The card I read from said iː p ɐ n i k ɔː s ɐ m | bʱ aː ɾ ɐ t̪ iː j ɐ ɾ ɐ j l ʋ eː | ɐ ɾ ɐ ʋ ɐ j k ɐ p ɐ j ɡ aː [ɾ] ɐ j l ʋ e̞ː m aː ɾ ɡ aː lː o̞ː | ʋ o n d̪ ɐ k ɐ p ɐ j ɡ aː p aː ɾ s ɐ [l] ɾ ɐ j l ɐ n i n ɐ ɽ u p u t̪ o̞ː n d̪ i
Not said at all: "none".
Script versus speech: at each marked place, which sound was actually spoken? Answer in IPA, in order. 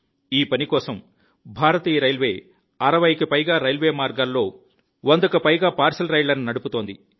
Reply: ɾ, l

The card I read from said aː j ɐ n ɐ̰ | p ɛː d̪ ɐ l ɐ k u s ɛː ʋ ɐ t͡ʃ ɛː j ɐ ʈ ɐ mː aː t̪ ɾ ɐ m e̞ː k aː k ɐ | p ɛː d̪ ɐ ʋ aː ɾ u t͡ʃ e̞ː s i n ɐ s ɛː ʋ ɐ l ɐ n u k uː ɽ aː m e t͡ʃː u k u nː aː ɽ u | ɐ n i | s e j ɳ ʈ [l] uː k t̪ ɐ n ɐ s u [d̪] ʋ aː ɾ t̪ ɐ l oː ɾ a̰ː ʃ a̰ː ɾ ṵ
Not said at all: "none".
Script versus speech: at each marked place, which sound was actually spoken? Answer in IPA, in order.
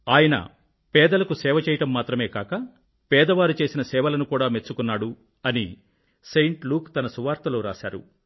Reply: l, none

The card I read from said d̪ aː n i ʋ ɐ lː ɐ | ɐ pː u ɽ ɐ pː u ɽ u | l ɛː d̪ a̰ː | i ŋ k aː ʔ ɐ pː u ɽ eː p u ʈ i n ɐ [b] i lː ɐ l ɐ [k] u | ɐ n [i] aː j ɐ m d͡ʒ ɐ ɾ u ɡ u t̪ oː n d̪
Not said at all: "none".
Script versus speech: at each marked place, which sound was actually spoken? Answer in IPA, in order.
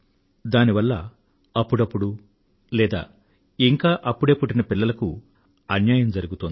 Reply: p, k, j

